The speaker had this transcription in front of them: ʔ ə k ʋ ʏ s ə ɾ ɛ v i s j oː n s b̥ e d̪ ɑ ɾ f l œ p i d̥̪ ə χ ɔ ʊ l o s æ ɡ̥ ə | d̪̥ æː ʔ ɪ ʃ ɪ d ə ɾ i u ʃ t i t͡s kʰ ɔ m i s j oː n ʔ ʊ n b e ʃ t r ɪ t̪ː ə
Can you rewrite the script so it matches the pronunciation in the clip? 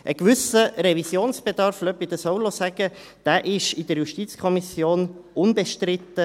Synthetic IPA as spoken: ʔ ə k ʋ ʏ s ə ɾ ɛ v i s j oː n s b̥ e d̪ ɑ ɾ f l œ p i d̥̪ ə s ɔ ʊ l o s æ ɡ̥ ə | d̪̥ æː ʔ ɪ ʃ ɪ d ə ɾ j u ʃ t i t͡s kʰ ɔ m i s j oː n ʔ ʊ n b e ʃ t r ɪ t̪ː ə